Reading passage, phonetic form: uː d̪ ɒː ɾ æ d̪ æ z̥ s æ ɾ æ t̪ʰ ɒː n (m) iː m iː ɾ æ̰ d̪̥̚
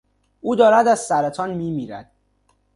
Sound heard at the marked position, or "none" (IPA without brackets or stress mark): m